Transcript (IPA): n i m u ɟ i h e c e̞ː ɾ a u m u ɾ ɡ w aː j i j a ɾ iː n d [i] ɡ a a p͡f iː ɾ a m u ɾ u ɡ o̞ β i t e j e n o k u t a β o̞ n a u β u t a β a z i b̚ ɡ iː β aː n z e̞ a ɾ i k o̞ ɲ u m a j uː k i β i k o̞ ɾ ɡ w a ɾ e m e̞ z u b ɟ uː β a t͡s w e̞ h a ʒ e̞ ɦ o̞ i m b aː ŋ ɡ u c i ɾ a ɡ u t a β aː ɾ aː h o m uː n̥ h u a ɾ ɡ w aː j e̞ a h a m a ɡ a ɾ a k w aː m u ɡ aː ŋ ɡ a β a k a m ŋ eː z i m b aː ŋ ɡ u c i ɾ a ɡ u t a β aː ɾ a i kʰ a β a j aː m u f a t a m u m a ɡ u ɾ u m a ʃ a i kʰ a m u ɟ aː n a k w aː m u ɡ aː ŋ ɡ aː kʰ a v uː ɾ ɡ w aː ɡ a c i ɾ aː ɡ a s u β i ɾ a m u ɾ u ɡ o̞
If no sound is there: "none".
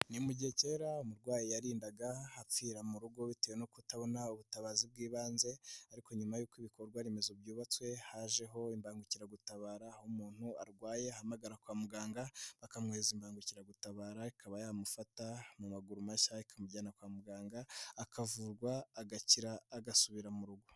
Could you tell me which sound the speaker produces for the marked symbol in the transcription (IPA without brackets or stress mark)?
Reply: a